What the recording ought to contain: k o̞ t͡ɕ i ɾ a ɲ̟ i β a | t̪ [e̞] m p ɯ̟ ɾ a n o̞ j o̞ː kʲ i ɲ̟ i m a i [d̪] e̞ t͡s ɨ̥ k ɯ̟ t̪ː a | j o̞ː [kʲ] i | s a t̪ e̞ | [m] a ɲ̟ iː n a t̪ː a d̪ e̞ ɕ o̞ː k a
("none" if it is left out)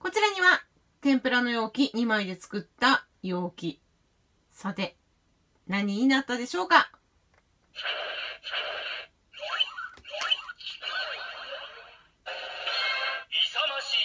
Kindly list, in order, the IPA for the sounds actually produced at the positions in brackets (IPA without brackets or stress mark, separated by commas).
ẽ̞, d̪, kʲ, n